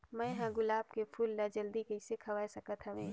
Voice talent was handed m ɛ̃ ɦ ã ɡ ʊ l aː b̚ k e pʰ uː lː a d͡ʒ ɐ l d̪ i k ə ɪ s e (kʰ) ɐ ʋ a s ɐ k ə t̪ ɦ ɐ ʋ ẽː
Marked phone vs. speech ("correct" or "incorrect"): correct